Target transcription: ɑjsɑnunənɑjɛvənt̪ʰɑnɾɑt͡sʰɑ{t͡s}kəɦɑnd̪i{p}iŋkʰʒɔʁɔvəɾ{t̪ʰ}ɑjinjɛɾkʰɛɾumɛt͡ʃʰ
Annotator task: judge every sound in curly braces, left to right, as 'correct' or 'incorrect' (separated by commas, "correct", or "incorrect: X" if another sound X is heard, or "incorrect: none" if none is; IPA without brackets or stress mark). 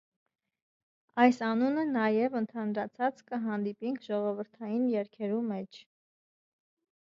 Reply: correct, correct, correct